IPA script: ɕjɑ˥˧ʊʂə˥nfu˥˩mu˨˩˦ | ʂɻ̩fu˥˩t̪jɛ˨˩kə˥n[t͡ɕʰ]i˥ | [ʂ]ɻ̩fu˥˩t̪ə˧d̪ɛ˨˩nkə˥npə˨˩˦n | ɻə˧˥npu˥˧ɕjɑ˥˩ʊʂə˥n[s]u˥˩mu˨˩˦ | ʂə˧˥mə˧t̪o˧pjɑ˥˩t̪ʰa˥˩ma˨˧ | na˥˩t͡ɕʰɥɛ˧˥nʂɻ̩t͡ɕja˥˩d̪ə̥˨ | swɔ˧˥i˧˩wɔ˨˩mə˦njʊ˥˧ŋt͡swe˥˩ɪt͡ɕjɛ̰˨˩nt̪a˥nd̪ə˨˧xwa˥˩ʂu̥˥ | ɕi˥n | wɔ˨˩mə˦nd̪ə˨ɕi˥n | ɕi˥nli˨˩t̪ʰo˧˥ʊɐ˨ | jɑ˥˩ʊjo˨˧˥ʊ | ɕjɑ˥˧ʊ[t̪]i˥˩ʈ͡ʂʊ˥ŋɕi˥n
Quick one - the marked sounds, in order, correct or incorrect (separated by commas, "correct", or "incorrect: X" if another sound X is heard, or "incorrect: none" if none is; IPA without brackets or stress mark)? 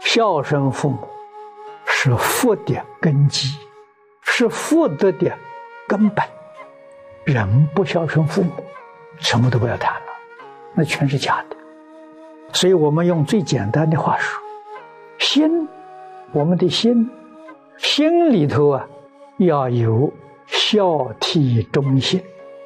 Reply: incorrect: t͡ɕ, correct, incorrect: f, incorrect: t̪ʰ